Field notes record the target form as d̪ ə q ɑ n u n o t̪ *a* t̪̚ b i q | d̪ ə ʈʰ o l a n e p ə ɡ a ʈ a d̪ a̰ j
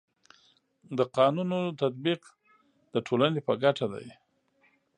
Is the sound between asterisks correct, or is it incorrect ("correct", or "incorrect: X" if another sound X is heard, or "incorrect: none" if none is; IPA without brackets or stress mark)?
correct